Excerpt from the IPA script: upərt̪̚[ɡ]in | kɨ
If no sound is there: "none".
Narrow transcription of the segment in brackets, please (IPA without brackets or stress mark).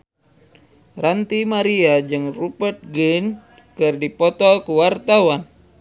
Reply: ɡ